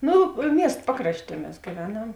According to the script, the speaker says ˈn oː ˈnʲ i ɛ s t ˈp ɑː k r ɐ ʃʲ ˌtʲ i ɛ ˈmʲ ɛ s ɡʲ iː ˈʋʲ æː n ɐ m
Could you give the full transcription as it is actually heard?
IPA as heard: ˈn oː ˈmʲ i ɛ s t ˈp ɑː k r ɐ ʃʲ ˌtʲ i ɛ ˈmʲ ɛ s ɡʲ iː ˈʋʲ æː n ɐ m